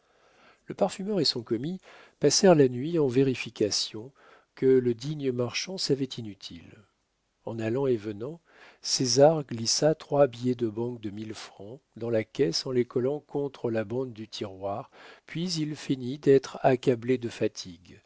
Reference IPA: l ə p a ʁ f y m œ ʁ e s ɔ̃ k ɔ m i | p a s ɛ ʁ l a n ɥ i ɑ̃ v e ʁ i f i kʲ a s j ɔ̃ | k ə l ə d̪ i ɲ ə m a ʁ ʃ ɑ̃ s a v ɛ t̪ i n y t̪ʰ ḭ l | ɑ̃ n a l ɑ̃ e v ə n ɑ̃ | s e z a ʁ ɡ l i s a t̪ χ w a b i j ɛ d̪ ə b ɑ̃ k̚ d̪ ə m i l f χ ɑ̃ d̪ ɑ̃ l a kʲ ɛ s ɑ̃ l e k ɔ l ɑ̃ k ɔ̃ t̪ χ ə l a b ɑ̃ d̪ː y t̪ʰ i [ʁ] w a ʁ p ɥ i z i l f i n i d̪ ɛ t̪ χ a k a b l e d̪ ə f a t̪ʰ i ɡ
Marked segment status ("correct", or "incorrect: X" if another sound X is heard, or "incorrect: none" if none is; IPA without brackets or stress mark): correct